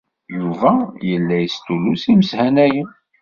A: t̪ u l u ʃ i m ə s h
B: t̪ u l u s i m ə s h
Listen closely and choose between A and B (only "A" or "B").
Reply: B